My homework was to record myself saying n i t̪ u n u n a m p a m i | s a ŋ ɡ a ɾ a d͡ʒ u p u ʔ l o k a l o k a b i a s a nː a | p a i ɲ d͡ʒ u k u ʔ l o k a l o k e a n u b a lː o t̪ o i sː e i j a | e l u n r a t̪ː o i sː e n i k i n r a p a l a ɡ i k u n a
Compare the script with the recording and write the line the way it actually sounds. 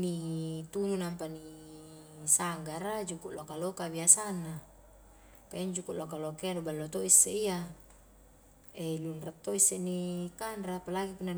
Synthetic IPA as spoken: n i t̪ u n u n a m p a n i | s a ŋ ɡ a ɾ a d͡ʒ u k u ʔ l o k a l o k a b i a s a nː a | p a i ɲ d͡ʒ u k u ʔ l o k a l o k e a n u b a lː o t̪ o i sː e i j a | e l u n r a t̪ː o i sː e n i k a n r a p a l a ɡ i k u n a